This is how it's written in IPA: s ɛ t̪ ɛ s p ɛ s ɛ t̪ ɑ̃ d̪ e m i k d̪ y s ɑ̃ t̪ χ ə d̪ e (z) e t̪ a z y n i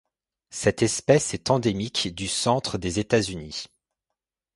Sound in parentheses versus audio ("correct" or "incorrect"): correct